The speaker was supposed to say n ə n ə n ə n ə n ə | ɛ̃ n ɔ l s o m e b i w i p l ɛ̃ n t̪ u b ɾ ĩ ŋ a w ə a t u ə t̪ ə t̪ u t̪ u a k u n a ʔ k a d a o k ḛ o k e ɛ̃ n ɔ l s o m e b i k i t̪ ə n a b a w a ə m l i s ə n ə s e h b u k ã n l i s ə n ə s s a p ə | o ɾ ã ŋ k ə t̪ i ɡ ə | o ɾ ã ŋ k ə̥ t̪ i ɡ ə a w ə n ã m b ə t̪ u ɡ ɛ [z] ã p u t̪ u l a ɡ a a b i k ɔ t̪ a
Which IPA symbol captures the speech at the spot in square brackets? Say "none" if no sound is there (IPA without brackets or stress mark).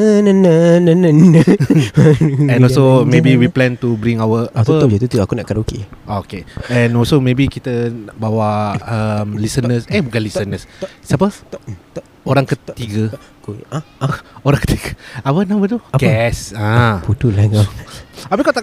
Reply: s